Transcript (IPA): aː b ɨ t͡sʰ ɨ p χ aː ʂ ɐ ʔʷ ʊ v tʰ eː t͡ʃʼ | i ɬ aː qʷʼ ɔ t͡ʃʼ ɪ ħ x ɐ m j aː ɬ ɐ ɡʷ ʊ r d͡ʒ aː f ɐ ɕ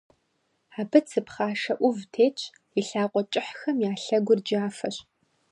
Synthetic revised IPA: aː b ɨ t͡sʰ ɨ p χ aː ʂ ɐ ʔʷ ʊ v tʰ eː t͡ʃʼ | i ɬ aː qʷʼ ɔ t͡ʃʼ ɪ ħ x ɐ m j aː ɬ ɐ ɡʷ ʊ r d͡ʒ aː f ɐ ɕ